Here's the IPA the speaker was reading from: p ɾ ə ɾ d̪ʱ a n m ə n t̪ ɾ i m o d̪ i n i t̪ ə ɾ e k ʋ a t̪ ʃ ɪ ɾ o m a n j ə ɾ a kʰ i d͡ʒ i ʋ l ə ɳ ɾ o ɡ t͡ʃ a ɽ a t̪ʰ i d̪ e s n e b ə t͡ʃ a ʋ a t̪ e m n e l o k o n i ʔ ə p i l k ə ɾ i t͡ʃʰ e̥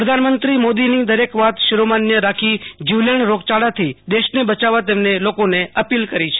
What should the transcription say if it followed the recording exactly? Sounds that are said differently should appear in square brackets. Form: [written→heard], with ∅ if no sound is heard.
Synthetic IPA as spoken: p ɾ ə [ɾ→∅] d̪ʱ a n m ə n t̪ ɾ i m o d̪ i n i [t̪→d̪] ə ɾ e k ʋ a t̪ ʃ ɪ ɾ o m a n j ə ɾ a kʰ i d͡ʒ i ʋ l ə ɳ ɾ o ɡ t͡ʃ a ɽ a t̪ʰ i d̪ e [s→ʃ] n e b ə t͡ʃ a ʋ a t̪ e m n e l o k o n [i→e] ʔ ə p i l k ə ɾ i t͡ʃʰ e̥